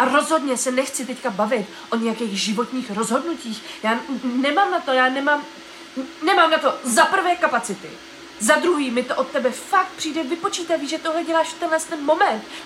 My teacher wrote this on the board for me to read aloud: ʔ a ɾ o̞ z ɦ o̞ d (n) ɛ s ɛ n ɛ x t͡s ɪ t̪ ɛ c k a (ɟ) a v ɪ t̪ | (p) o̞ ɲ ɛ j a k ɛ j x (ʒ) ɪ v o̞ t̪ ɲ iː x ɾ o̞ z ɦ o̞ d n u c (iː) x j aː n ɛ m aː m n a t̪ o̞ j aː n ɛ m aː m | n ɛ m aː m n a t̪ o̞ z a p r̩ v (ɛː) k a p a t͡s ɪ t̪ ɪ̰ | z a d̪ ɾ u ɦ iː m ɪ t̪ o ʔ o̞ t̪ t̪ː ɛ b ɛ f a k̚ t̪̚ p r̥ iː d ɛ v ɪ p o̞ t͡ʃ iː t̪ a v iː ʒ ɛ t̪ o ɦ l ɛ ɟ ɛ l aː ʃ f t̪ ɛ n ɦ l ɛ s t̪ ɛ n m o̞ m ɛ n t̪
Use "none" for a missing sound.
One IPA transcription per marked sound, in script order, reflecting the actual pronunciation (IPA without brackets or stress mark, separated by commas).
ɲ, b, ʔ, ʒ, iː, ɛː